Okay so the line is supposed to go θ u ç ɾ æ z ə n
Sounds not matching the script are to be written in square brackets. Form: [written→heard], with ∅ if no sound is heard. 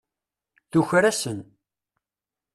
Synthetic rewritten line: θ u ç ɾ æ [z→s] ə n